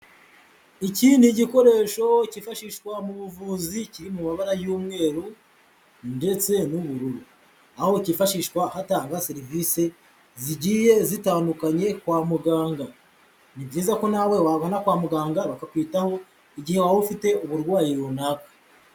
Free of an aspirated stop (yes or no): yes